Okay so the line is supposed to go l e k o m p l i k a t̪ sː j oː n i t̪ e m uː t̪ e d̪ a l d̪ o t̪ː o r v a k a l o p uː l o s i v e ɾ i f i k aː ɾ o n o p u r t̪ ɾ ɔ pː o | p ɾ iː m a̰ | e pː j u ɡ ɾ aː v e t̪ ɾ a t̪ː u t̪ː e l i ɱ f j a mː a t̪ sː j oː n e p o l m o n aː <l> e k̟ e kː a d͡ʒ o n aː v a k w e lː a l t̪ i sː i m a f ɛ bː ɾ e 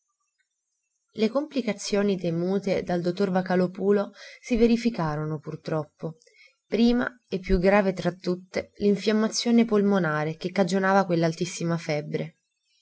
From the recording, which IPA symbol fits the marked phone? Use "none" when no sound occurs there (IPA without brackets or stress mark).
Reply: ɾ